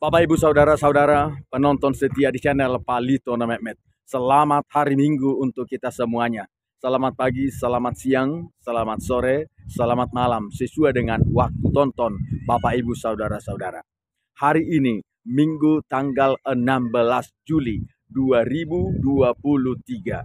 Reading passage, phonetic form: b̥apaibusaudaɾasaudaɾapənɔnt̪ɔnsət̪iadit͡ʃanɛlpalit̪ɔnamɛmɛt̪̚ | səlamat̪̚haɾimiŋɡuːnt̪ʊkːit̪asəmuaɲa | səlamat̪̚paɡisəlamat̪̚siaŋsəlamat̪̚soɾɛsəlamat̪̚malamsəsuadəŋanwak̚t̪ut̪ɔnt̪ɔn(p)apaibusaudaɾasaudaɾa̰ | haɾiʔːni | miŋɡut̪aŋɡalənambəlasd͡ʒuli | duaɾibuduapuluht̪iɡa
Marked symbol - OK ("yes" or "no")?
no